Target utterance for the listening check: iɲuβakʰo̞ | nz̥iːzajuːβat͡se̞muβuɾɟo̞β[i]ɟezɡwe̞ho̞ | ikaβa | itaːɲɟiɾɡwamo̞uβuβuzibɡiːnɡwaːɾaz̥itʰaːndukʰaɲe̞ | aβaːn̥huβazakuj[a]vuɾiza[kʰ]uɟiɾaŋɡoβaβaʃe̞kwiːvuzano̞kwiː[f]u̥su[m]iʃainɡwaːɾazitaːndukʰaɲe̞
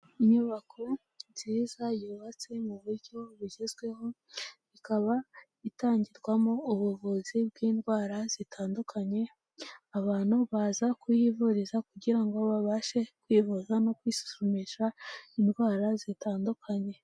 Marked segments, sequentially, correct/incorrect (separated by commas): correct, incorrect, incorrect, incorrect, correct